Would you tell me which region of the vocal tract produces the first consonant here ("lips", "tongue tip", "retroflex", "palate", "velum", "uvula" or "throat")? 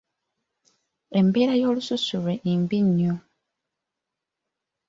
lips